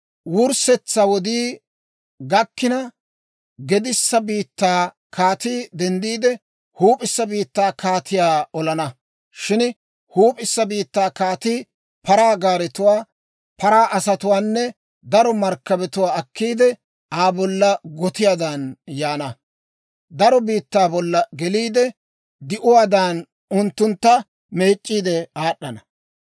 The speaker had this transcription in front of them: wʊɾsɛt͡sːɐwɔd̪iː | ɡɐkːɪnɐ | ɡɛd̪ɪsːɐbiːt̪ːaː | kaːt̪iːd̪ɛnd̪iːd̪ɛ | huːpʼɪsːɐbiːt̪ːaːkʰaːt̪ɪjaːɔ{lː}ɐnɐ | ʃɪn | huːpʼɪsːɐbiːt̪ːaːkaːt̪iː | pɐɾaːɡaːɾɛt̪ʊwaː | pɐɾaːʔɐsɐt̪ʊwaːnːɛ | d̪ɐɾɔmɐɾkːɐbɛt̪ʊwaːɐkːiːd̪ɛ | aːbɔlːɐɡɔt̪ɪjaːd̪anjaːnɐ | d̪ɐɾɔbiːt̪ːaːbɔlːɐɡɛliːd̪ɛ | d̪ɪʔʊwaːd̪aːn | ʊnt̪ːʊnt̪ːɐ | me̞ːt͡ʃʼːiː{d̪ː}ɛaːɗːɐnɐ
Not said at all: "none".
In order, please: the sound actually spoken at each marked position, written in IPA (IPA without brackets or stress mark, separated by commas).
l, d̪